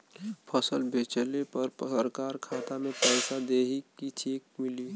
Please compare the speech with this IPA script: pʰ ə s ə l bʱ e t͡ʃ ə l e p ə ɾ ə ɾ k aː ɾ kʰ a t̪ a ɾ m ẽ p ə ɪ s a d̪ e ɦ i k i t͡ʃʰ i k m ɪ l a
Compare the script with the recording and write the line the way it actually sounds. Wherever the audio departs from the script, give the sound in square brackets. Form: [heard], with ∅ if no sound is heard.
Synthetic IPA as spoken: pʰ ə s ə l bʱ e t͡ʃ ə l e p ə ɾ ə ɾ k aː ɾ kʰ a t̪ a [∅] m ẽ p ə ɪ s a d̪ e ɦ i k i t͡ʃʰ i k m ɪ l [i]